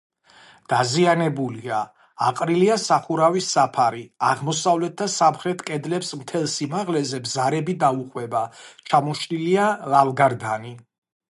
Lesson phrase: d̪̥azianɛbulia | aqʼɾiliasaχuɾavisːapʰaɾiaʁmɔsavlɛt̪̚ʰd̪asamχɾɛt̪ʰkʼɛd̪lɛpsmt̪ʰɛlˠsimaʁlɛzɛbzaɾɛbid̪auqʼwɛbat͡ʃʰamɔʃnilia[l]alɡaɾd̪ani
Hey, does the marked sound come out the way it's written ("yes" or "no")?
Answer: yes